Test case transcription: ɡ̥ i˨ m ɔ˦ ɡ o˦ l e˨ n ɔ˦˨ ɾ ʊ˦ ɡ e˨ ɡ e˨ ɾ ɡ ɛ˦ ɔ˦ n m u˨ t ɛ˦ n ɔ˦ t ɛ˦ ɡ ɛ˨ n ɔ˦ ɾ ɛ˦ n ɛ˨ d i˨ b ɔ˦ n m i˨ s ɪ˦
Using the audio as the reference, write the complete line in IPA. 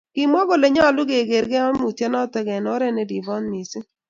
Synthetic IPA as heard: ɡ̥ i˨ m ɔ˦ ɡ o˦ l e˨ ɲ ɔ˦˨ l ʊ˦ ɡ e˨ ɡ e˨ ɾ ɡ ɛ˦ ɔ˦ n m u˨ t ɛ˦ n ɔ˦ t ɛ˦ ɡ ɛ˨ n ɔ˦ ɾ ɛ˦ n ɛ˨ d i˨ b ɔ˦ n m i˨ s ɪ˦